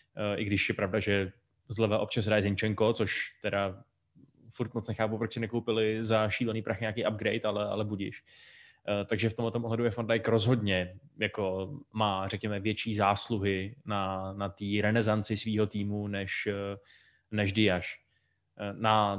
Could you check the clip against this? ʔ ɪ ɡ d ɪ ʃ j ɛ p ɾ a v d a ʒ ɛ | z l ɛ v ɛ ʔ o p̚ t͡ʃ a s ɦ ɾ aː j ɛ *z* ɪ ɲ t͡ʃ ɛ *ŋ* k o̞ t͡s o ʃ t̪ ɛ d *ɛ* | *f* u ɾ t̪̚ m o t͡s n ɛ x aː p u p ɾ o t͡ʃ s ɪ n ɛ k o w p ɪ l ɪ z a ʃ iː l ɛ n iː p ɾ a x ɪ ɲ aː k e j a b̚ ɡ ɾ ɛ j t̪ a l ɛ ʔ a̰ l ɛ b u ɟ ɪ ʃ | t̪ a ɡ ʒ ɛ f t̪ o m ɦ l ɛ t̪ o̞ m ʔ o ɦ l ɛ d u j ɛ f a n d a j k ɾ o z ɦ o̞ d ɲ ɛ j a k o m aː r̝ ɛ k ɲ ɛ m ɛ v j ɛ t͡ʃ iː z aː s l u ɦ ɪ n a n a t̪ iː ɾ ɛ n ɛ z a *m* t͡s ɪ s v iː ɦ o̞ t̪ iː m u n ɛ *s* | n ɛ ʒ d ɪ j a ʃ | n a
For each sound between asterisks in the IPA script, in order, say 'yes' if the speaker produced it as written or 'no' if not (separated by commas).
yes, yes, no, yes, no, no